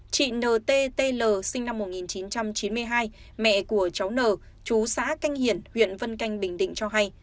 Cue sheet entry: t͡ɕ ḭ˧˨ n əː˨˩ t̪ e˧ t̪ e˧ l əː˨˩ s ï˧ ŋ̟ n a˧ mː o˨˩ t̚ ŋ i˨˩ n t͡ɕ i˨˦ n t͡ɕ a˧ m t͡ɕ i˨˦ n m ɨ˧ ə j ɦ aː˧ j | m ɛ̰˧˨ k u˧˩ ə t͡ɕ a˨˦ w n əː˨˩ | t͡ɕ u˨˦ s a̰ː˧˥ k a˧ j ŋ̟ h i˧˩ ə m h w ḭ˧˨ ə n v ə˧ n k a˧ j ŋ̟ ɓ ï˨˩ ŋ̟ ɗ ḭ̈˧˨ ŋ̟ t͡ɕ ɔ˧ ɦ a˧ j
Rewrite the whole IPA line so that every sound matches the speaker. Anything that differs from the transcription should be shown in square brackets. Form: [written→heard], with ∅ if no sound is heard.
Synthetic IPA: t͡ɕ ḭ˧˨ n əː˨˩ t̪ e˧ t̪ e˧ l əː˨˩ s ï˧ ŋ̟ n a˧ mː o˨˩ t̚ ŋ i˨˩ n t͡ɕ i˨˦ n t͡ɕ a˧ m t͡ɕ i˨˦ n m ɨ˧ ə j ɦ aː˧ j | m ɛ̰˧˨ k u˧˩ ə t͡ɕ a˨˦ w n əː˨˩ | t͡ɕ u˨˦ s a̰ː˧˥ k a˧ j ŋ̟ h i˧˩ ə [m→n] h w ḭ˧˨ ə n v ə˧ n k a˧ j ŋ̟ ɓ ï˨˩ ŋ̟ ɗ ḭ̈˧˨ ŋ̟ t͡ɕ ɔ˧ ɦ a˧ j